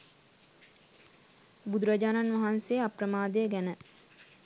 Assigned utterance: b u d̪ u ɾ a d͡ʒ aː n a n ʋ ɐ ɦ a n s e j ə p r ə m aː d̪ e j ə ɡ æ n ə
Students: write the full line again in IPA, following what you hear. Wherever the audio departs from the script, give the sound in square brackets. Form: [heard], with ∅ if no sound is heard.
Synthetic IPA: b u d̪ u ɾ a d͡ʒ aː n a n ʋ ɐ ɦ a n s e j [a] p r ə m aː d̪ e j ə ɡ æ n ə